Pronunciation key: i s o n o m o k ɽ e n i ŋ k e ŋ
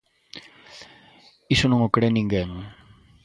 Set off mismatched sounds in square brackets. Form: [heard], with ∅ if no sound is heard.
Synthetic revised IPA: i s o n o [ŋ] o k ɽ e n i ŋ [ɡ] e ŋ